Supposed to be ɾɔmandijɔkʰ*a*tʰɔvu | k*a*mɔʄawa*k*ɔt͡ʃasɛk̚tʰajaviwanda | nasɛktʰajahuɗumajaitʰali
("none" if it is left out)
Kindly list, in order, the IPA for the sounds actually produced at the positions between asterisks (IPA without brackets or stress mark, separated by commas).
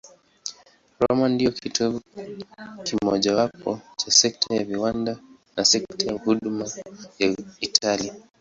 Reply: i, i, p